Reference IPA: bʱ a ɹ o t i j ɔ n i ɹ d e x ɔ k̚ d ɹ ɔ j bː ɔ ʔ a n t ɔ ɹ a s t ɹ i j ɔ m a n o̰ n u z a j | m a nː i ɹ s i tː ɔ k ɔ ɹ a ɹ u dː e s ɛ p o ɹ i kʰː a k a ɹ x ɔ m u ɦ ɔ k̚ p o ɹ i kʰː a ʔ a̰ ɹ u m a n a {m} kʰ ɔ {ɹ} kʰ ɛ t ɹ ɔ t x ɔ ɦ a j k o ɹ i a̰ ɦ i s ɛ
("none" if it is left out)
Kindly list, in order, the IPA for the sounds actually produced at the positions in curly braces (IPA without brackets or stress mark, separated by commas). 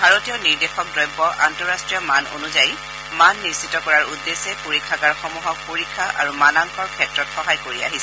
ŋ, ɹ